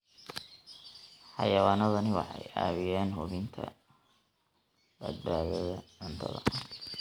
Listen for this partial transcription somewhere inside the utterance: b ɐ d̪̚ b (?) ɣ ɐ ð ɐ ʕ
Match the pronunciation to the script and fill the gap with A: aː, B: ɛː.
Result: A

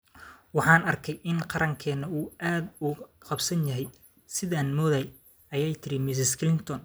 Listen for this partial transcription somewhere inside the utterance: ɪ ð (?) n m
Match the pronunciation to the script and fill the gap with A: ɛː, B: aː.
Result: B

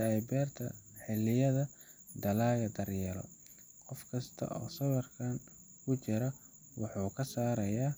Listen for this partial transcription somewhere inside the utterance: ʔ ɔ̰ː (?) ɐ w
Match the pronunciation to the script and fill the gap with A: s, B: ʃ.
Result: A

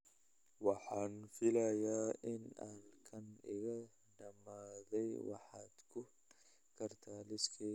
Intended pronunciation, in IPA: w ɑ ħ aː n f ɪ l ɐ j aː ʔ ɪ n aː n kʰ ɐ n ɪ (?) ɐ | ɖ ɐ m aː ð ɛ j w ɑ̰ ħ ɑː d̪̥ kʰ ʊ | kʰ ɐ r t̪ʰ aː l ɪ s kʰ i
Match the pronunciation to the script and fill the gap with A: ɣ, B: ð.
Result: A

